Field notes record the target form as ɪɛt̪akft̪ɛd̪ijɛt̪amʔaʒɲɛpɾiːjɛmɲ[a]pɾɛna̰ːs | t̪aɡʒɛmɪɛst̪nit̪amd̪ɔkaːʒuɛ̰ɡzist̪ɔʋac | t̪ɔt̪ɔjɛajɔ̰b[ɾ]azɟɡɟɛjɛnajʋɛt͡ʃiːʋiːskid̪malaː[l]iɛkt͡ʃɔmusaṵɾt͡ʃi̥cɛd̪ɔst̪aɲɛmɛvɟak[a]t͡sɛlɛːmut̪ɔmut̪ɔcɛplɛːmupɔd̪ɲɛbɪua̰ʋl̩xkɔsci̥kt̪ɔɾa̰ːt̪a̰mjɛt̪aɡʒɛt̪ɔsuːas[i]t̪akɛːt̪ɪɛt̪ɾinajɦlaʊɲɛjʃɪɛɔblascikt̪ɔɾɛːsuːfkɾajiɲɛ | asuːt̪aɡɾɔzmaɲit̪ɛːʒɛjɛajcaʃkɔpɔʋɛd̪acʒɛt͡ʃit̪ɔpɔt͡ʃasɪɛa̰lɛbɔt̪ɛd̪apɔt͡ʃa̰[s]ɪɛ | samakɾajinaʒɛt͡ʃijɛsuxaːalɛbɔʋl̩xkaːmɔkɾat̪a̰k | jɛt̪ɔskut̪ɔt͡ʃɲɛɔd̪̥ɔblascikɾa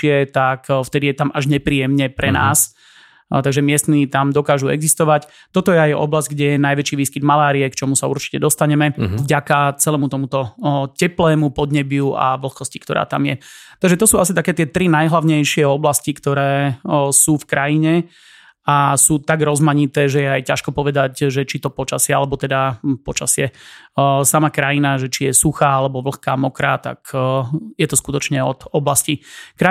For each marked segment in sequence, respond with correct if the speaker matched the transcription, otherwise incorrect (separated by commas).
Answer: incorrect, incorrect, incorrect, correct, correct, correct